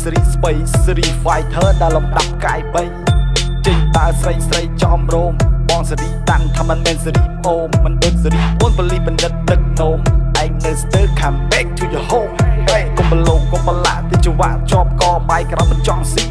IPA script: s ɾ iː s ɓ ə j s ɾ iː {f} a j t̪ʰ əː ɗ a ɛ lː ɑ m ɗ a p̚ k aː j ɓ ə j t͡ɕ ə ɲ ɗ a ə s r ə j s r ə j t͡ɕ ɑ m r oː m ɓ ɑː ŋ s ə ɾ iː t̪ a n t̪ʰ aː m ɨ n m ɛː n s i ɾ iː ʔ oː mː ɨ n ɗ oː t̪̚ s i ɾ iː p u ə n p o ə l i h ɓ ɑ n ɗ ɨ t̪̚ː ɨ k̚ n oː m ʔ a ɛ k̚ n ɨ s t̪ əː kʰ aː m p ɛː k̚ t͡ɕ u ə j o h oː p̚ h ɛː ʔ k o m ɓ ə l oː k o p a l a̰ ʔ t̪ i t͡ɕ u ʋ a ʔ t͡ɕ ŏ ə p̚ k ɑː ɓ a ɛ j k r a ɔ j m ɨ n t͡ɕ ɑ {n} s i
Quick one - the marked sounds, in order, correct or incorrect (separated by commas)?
correct, incorrect